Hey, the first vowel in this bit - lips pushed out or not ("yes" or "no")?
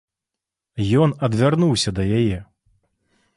yes